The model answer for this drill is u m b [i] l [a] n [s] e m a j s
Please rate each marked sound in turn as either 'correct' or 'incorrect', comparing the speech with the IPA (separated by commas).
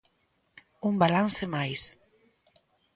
incorrect, correct, correct